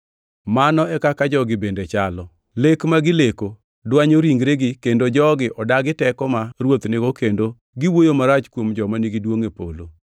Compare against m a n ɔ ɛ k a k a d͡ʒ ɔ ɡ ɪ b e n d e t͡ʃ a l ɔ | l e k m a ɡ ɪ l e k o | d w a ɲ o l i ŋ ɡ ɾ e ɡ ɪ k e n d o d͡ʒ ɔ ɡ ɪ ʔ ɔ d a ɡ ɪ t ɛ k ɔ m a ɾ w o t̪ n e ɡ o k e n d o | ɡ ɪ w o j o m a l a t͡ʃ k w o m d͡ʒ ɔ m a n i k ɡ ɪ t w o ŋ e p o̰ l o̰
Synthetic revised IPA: m a n ɔ ɛ k a k a d͡ʒ ɔ ɡ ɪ b e n d e t͡ʃ a l ɔ | l e k m a ɡ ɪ l e k o | d w a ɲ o ɾ i ŋ ɡ ɾ e ɡ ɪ k e n d o d͡ʒ ɔ ɡ ɪ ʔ ɔ d a ɡ ɪ t ɛ k ɔ m a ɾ w o t̪ n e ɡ o k e n d o | ɡ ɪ w o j o m a ɾ a t͡ʃ k w o m d͡ʒ ɔ m a n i ɡ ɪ d w o ŋ e p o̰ l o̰